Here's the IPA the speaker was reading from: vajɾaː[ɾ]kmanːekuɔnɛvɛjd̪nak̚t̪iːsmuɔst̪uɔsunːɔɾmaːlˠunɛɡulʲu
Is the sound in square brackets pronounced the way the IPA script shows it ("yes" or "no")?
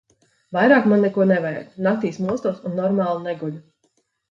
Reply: no